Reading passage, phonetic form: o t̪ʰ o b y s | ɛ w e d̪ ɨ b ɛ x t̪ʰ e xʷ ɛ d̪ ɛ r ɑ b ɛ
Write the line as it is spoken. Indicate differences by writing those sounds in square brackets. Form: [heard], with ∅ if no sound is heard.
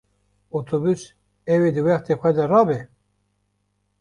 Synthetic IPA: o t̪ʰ o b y s | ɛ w e d̪ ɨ [w] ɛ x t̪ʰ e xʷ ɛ d̪ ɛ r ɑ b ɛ